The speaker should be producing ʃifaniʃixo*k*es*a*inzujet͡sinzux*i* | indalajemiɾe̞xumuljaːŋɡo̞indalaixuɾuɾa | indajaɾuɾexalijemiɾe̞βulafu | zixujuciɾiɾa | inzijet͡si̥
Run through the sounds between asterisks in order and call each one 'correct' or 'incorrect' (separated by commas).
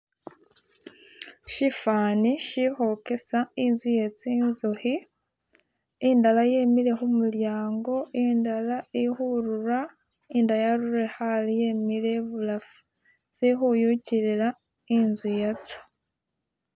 correct, correct, correct